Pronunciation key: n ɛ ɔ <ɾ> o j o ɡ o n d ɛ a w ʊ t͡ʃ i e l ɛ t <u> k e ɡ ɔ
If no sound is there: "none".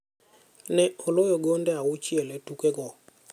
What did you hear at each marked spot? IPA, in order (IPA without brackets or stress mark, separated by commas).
l, u